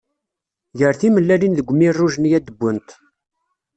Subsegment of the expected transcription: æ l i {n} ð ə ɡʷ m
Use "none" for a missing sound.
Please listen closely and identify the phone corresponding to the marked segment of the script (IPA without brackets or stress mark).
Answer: n